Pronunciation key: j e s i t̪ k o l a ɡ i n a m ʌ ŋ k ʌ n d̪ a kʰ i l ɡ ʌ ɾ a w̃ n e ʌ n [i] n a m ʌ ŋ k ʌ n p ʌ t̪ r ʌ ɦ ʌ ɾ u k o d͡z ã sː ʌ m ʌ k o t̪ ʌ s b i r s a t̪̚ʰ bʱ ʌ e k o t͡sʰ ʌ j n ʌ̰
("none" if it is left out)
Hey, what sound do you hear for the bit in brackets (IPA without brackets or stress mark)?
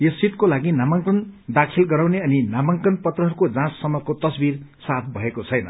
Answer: i